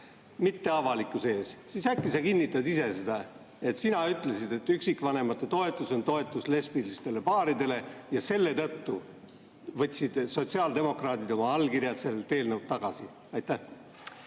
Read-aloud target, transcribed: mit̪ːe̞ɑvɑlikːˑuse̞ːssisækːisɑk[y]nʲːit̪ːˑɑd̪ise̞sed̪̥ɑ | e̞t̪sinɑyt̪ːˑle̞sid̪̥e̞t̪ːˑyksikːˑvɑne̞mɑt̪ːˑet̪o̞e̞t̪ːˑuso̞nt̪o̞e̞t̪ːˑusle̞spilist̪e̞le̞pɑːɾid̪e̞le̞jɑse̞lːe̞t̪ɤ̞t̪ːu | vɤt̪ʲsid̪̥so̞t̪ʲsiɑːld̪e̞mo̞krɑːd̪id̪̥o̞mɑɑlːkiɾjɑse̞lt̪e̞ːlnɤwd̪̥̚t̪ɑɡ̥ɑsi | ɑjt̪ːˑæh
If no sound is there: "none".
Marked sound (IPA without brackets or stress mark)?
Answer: i